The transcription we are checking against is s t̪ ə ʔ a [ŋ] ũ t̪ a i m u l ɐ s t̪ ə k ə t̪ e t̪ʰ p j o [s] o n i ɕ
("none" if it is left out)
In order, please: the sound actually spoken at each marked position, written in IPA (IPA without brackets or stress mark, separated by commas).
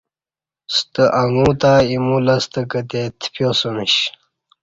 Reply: ŋ, s